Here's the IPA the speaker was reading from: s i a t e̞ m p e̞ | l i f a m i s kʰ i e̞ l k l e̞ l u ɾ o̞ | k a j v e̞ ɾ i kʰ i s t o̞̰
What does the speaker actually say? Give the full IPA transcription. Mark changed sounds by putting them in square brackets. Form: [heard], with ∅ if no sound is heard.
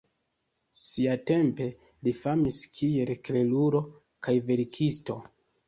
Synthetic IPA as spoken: s i a t e̞ m p e̞ | l i f a m i s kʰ i e̞ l k l e̞ l u ɾ o̞ | k a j v e̞ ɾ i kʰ i s t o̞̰